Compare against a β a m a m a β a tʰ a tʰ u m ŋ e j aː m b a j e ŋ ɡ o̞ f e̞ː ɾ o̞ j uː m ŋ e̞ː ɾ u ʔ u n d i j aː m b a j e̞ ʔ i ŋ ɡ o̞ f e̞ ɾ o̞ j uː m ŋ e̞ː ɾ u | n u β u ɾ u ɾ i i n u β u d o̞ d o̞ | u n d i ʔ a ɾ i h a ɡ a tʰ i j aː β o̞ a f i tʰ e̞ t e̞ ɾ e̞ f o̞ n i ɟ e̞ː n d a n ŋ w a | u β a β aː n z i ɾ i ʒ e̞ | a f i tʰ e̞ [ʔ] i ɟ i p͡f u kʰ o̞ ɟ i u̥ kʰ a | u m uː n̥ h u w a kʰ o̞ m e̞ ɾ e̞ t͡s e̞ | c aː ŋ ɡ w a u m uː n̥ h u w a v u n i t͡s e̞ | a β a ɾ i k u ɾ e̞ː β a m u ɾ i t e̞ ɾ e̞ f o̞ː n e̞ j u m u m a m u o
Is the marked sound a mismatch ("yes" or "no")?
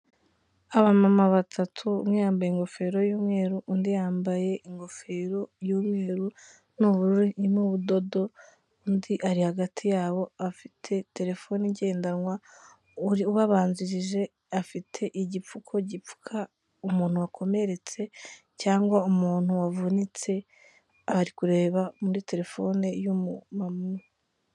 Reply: no